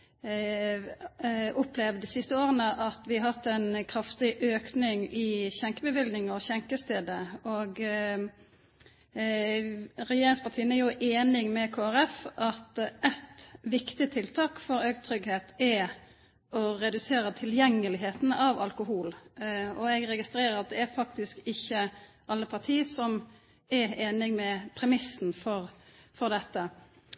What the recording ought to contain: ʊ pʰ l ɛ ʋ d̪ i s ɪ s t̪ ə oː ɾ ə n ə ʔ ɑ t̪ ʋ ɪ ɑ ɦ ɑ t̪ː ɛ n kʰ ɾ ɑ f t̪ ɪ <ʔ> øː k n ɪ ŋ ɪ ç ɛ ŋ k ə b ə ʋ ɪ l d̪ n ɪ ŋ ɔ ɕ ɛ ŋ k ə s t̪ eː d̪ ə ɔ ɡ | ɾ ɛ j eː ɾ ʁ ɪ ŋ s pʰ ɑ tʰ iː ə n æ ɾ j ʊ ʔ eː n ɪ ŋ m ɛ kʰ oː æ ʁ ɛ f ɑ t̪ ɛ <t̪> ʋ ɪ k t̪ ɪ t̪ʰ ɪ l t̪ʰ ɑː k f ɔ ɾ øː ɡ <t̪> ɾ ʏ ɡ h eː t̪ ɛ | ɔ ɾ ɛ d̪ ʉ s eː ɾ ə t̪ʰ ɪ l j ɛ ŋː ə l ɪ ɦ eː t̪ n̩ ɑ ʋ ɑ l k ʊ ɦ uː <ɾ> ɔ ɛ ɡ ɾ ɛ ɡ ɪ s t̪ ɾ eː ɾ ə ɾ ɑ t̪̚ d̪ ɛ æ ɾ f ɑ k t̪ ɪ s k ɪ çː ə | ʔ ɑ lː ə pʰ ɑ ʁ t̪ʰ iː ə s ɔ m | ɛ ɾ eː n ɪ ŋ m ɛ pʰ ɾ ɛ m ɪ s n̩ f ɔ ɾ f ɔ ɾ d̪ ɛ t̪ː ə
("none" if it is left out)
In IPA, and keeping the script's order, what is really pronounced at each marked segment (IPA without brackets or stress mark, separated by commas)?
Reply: ʔ, t̪, t̪ʰ, l